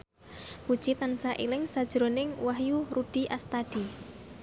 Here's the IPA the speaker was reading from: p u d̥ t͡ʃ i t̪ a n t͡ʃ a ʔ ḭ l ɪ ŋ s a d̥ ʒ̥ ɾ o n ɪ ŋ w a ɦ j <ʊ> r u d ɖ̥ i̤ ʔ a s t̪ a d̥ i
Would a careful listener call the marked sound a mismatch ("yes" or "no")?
yes